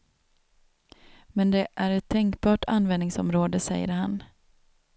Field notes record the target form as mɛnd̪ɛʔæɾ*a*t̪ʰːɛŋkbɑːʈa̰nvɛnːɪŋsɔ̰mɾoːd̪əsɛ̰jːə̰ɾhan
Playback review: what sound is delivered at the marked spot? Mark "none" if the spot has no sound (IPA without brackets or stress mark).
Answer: ɛ